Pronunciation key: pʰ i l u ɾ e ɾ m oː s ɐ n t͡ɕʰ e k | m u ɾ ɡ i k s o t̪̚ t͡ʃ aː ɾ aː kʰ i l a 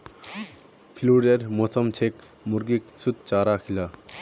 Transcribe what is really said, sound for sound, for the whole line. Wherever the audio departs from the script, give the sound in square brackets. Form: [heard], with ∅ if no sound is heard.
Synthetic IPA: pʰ i l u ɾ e ɾ m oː s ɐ [m] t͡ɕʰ e k | m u ɾ ɡ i k s [u] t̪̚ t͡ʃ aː ɾ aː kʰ i l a